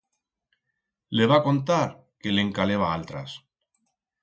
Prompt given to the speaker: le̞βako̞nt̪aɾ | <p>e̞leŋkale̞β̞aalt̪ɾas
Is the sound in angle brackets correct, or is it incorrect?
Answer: incorrect